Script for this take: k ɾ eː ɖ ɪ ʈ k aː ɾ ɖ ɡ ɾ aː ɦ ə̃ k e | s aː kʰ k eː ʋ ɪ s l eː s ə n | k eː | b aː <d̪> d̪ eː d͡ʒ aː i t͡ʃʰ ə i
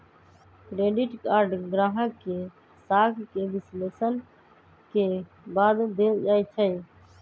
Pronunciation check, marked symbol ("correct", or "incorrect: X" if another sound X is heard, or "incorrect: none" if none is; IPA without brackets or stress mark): correct